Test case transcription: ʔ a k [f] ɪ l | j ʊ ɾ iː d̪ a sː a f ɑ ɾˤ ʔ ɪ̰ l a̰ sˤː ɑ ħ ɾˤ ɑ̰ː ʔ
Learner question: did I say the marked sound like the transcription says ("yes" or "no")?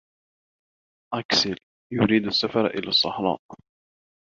no